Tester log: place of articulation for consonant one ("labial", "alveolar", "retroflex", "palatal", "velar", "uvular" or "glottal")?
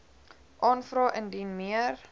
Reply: glottal